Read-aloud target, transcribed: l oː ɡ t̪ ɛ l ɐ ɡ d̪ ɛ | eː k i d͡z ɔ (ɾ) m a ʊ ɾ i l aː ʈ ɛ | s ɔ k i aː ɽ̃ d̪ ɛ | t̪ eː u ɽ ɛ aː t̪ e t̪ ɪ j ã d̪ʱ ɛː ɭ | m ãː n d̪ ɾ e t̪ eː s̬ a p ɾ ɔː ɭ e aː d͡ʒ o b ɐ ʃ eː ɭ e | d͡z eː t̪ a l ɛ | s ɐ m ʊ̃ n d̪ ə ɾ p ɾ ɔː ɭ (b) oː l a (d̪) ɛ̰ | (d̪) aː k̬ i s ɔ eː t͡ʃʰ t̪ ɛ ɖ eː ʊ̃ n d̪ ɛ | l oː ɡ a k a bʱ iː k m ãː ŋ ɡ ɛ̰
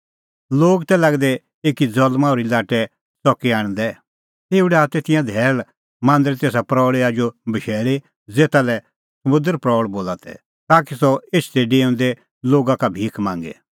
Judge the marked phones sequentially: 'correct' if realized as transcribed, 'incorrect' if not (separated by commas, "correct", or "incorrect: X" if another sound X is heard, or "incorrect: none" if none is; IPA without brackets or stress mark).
incorrect: l, correct, incorrect: t̪, incorrect: t̪